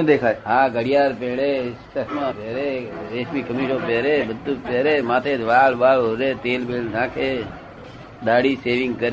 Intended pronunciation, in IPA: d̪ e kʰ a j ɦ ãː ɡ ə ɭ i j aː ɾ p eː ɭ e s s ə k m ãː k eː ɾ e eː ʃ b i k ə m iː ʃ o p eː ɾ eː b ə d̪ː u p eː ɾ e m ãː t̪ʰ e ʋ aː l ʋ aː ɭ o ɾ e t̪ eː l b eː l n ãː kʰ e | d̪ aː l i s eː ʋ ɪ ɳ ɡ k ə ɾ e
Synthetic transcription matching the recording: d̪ e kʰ a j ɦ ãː ɡ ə ɽ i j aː ɾ p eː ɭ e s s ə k m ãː p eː ɾ e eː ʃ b i k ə m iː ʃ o p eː ɾ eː b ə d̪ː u p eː ɾ e m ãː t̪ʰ e ʋ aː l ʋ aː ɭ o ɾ e t̪ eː l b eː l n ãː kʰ e | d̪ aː ɽ i s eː ʋ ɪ ŋ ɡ k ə ɾ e